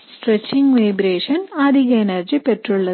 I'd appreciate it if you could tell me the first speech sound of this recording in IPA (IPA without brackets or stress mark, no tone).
s